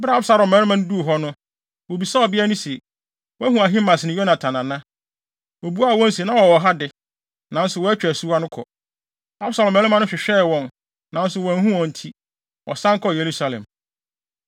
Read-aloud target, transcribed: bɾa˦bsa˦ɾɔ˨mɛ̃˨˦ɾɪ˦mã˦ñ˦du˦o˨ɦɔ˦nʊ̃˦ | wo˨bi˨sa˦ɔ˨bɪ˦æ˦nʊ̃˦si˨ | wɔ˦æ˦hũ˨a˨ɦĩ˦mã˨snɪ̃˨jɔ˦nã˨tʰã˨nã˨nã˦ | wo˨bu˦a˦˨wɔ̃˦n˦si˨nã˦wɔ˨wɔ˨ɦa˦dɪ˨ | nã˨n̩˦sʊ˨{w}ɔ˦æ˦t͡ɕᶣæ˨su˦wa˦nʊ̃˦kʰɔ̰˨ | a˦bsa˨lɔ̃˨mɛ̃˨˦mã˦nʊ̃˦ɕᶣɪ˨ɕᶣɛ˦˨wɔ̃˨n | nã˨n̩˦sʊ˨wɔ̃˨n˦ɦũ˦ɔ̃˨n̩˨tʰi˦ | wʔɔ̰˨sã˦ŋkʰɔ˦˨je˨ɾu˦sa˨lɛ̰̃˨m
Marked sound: correct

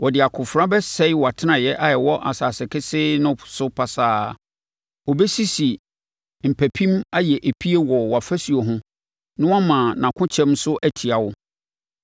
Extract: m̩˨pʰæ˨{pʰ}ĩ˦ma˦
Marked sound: correct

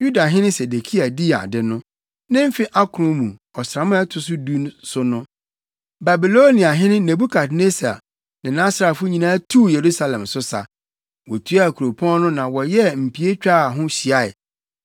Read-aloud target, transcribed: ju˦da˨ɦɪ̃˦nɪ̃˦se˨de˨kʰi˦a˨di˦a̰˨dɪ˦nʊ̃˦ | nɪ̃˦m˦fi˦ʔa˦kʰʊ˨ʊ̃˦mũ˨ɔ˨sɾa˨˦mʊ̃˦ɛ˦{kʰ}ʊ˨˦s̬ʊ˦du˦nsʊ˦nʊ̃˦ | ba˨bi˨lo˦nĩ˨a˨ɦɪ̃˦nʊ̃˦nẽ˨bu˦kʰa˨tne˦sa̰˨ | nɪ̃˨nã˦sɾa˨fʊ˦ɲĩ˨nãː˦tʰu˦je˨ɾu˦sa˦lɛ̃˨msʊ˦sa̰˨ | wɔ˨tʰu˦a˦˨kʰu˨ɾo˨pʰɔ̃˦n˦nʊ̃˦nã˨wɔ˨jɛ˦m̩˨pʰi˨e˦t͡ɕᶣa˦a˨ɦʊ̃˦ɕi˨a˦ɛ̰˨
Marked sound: incorrect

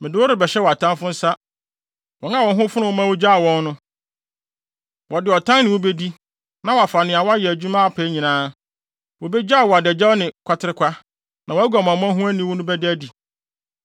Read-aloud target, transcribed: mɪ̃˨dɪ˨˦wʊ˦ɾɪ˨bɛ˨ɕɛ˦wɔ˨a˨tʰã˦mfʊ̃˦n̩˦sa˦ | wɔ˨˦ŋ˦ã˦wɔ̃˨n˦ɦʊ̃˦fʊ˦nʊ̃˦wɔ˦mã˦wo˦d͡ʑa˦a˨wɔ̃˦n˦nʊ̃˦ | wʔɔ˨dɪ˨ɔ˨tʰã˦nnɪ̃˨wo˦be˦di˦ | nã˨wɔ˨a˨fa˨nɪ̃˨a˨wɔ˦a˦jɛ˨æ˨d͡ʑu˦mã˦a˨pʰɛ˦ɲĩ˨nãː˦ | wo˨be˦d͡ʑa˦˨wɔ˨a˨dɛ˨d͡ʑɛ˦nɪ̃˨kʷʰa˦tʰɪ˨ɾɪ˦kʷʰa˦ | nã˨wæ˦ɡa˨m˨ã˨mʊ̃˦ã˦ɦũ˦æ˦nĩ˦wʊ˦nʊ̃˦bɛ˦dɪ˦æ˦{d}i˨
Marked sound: correct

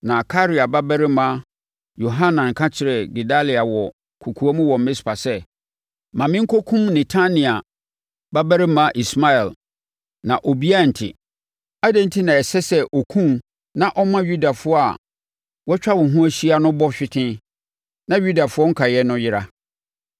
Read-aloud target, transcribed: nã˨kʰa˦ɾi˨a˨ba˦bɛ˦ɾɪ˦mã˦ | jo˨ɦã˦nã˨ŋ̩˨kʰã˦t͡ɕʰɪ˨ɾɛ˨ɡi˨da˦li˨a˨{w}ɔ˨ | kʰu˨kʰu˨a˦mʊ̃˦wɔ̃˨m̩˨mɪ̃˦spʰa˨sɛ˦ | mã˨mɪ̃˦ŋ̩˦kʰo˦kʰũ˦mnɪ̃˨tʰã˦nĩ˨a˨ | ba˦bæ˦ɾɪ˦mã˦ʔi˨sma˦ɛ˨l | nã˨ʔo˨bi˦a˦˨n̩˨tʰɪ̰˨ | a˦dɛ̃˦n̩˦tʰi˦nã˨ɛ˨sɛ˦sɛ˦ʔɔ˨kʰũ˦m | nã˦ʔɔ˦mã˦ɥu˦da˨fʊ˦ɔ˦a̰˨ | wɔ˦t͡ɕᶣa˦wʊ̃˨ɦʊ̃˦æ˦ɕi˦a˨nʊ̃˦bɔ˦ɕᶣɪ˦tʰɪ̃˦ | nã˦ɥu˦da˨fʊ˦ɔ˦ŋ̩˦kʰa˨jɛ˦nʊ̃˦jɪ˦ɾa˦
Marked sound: correct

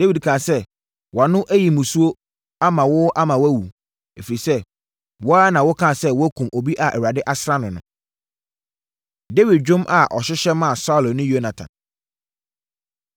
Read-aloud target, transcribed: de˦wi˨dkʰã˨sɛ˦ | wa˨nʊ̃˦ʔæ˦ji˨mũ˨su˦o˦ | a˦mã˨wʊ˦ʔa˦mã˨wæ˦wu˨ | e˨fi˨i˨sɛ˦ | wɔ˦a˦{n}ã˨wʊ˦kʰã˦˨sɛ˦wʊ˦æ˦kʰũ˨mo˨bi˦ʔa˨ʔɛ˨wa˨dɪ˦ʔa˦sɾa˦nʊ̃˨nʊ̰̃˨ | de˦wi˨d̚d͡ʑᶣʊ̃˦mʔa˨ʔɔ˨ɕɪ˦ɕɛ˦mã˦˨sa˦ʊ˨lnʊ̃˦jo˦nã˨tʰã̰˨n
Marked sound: correct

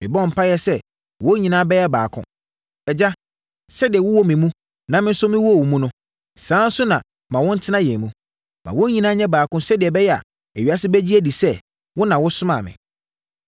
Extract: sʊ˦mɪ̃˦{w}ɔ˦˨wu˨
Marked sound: correct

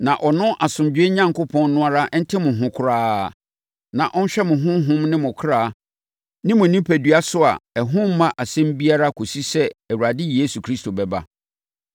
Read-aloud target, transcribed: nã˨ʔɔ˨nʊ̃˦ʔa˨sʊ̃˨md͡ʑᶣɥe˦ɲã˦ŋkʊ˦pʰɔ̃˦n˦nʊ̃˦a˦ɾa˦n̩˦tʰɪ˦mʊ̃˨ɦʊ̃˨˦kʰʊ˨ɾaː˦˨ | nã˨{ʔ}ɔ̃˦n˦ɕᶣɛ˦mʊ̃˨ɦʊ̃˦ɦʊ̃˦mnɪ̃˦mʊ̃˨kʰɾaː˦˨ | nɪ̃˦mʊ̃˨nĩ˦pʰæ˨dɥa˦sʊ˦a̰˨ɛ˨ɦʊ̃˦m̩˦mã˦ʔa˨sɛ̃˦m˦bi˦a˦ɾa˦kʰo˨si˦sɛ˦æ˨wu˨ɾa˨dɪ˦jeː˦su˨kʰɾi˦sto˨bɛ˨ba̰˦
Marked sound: correct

